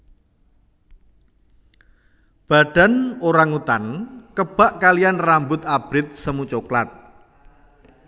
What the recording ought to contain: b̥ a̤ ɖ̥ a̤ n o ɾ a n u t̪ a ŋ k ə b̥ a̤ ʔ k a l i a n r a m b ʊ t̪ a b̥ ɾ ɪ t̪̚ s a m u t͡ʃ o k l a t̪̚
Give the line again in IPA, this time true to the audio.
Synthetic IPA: b̥ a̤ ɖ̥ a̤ n o ɾ a ŋ u t̪ a n k ə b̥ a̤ ʔ k a l i a n r a m b ʊ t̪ a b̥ ɾ ɪ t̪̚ s ə m u t͡ʃ o k l a t̪̚